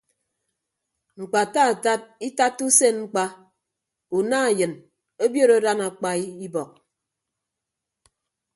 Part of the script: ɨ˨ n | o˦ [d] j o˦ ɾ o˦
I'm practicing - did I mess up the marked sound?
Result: yes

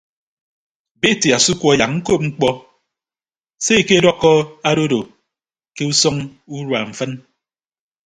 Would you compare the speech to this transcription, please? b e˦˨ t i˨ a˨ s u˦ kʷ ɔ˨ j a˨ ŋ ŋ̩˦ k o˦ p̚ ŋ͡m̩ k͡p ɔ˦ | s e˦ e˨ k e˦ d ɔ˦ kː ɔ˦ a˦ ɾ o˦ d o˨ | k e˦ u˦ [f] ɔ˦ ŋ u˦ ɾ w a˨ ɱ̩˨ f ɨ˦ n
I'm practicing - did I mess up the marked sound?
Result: yes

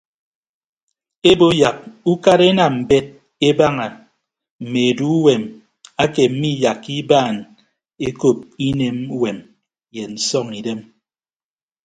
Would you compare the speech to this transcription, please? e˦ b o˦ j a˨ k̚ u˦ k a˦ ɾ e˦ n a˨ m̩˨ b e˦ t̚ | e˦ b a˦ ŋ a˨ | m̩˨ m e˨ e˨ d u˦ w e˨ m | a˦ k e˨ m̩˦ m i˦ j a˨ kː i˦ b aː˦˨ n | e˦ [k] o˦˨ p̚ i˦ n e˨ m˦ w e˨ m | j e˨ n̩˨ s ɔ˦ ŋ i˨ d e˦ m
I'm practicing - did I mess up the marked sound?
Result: no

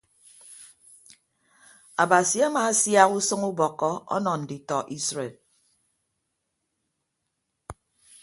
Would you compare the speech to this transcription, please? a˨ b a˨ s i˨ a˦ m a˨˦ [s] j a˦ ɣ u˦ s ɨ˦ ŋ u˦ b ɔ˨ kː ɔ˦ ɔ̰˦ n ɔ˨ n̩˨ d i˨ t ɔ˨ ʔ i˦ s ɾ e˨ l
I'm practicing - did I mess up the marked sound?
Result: no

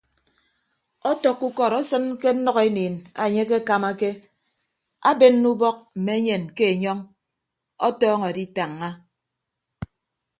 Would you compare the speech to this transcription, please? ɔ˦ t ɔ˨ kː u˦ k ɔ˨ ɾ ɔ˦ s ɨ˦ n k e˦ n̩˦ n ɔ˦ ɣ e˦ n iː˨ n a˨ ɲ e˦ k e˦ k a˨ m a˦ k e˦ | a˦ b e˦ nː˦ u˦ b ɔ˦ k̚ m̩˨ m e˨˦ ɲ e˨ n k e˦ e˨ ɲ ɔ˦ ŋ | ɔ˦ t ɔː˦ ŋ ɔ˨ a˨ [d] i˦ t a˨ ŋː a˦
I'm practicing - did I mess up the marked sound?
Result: no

